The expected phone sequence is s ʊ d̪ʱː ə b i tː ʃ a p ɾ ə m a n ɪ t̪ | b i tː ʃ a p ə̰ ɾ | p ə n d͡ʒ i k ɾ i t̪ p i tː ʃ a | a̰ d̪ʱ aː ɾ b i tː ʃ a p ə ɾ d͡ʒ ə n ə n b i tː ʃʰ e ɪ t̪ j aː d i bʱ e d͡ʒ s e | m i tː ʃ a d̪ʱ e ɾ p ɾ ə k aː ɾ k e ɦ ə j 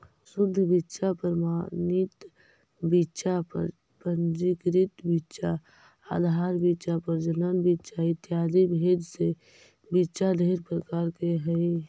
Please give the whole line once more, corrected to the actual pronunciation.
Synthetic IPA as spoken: s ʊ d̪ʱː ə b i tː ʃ a p ɾ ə m a n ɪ t̪ | b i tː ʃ a p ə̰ ɾ | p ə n d͡ʒ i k ɾ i t̪ b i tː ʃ a | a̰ d̪ʱ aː ɾ b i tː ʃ a p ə ɾ d͡ʒ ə n ə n b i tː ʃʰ a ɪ t̪ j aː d i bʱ e d͡ʒ s e | b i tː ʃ a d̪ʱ e ɾ p ɾ ə k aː ɾ k e ɦ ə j